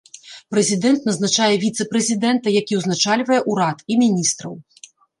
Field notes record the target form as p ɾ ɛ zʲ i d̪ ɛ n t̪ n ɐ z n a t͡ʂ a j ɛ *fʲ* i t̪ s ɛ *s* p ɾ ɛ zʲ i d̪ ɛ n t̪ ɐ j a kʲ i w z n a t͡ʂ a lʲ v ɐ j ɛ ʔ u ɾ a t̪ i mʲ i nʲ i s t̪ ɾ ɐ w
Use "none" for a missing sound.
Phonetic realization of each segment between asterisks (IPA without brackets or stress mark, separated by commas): vʲ, none